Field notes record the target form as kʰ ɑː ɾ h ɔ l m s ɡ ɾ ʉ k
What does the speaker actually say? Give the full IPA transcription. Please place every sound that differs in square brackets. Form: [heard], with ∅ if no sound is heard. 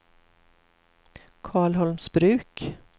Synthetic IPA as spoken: kʰ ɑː [ɭ] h ɔ l m s [b] ɾ [ʉː] k